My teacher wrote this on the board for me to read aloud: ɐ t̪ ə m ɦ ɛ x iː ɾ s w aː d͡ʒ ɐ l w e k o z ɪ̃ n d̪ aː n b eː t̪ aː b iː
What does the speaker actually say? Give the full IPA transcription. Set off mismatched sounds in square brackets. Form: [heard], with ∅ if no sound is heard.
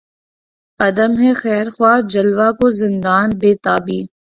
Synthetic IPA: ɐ [d̪] ə m ɦ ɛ x [ɛː] ɾ [x] w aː d͡ʒ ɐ l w [a] k o z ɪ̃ n d̪ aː n b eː t̪ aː b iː